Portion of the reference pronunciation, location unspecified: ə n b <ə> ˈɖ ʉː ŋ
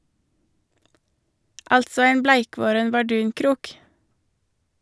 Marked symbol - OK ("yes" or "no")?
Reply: no